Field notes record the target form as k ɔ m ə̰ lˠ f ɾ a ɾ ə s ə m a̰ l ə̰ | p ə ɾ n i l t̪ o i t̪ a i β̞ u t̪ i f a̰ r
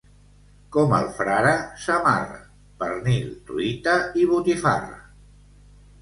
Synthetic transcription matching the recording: k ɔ m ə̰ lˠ f ɾ a ɾ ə s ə m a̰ r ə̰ | p ə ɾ n i l t̪ u i t̪ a i β̞ u t̪ i f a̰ r